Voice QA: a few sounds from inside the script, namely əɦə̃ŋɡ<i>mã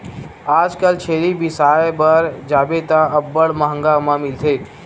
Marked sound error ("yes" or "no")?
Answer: yes